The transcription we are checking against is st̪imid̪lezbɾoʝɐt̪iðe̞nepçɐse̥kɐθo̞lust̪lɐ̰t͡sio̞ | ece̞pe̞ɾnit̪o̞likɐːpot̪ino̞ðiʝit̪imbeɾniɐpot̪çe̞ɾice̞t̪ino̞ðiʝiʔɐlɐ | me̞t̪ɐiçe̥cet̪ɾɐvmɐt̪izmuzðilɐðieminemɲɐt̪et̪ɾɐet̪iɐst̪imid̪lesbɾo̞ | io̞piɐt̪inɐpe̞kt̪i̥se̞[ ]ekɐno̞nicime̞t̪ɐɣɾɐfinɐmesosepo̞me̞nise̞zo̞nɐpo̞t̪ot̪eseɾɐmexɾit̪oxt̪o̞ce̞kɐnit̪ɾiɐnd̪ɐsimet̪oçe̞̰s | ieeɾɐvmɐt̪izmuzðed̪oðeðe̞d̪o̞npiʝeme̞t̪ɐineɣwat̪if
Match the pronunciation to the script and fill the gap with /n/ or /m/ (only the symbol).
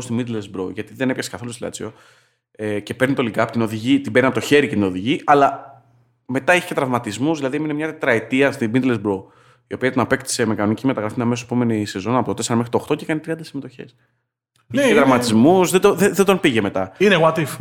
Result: m